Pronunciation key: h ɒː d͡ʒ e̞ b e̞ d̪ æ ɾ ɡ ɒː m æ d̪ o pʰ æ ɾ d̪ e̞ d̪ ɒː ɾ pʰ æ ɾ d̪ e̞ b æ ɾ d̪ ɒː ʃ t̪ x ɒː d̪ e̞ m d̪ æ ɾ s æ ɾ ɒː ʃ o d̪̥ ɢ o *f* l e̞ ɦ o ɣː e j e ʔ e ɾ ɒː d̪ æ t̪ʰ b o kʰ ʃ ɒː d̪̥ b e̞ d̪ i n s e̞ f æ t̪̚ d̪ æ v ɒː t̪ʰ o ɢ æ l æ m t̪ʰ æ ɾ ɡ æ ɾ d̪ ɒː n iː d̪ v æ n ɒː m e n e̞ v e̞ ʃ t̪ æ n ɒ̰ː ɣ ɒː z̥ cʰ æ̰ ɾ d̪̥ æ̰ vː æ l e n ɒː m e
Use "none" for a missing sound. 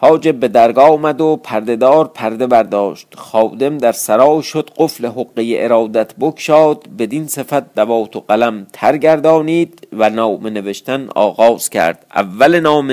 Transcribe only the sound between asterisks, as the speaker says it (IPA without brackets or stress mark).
f